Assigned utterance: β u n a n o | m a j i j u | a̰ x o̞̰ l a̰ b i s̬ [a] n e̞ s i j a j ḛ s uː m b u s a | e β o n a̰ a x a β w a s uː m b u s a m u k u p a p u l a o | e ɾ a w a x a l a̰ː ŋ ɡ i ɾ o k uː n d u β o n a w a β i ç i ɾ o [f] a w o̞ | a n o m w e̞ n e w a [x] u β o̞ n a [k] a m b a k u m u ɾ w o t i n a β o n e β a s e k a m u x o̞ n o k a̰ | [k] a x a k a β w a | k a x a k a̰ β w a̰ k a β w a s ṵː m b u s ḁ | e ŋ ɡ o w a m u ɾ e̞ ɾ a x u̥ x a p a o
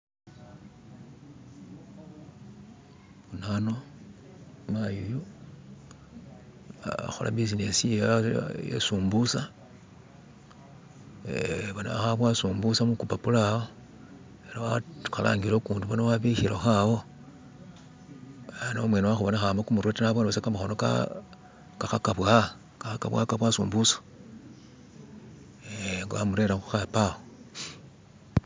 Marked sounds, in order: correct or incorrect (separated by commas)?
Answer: incorrect, incorrect, correct, incorrect, correct